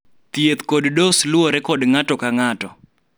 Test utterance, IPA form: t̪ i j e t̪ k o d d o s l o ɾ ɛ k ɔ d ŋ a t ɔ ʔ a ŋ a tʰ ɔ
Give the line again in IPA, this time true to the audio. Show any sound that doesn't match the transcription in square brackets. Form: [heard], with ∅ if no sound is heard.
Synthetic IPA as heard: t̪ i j e t̪ k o d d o s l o ɾ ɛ k ɔ d ŋ a t ɔ [k] a ŋ a [t] ɔ